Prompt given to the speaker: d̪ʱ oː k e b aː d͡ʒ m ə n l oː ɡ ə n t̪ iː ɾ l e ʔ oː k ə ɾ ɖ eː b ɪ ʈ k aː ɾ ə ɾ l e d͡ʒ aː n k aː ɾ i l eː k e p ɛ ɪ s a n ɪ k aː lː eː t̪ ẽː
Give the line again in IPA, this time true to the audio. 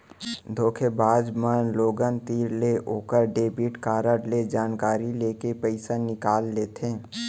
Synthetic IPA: d̪ʱ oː kʰ e b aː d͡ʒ m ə n l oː ɡ ə n t̪ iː ɾ l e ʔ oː k ə ɾ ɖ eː b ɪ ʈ k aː ɾ ə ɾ l e d͡ʒ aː n k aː ɾ i l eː k e p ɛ ɪ s a n ɪ k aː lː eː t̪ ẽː

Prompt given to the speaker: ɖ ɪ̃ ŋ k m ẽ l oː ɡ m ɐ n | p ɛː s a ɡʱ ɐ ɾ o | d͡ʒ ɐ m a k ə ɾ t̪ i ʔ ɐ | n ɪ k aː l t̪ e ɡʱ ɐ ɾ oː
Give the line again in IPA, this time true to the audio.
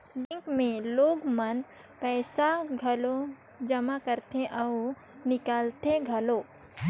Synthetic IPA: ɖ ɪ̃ ŋ k m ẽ l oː ɡ m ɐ n | p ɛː s a ɡʱ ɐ l o | d͡ʒ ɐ m a k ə ɾ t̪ e ʔ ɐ | n ɪ k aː l t̪ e ɡʱ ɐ l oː

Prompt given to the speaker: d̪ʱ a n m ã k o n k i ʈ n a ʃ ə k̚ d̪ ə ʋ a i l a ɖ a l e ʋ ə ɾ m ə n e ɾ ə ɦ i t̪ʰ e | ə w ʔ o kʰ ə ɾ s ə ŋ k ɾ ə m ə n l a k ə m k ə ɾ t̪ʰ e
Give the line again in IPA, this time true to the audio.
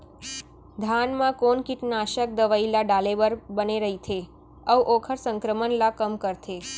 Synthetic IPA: d̪ʱ a n m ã k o n k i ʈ n a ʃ ə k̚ d̪ ə ʋ a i l a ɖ a l e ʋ ə ɾ b ə n e ɾ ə ɦ i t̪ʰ e | ə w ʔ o kʰ ə ɾ s ə ŋ k ɾ ə m ə n l a k ə m k ə ɾ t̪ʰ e

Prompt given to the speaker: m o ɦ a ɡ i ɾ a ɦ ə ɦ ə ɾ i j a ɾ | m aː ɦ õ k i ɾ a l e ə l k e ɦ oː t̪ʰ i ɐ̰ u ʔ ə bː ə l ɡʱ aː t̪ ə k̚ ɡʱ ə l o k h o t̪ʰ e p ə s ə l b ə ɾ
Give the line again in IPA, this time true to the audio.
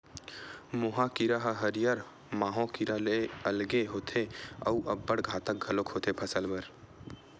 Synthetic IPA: m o ɦ a k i ɾ a ɦ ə ɦ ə ɾ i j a ɾ | m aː ɦ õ k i ɾ a l e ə l ɡ e ɦ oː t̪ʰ e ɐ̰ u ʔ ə bː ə ɽ ɡʱ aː t̪ ə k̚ ɡʱ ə l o k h o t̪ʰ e pʰ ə s ə l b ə ɾ

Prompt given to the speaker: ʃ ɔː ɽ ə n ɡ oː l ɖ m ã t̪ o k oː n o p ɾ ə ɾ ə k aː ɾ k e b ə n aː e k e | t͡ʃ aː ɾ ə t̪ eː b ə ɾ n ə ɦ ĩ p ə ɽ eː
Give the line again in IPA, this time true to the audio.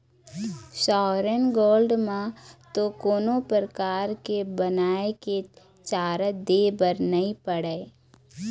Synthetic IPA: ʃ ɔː ɾ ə n ɡ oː l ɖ m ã t̪ o k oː n o p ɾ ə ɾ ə k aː ɾ k e b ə n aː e k e | t͡ʃ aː ɾ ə d̪ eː b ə ɾ n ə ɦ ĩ p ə ɽ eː

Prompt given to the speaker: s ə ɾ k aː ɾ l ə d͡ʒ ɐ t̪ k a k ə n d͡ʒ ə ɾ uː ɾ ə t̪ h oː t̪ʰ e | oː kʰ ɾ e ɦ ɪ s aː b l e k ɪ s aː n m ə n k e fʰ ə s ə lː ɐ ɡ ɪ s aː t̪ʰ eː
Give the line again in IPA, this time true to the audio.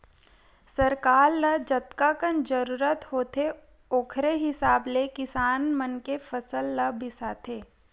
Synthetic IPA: s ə ɾ k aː ɾ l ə d͡ʒ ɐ t̪ k a k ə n d͡ʒ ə ɾ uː ɾ ə t̪ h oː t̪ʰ e | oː kʰ ɾ e ɦ ɪ s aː b l e k ɪ s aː n m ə n k e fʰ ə s ə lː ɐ b ɪ s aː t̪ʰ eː

